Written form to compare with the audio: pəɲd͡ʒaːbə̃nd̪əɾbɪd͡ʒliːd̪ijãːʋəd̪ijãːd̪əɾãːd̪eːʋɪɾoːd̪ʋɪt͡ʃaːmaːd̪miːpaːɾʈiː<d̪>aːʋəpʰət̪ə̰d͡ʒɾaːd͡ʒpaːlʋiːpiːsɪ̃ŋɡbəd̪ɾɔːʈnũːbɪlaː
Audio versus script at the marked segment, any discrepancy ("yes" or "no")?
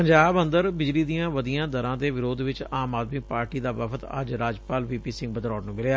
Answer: no